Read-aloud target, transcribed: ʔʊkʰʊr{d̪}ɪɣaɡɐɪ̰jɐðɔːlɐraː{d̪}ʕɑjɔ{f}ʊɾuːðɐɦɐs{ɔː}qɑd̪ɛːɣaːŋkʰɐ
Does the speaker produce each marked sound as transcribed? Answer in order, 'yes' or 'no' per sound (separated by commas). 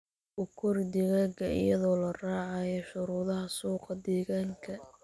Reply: yes, no, no, no